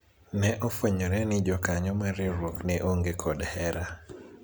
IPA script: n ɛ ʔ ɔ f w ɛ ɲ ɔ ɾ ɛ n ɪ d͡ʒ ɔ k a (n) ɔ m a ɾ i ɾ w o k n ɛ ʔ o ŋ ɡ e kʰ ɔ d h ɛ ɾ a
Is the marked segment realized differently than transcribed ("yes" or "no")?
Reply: yes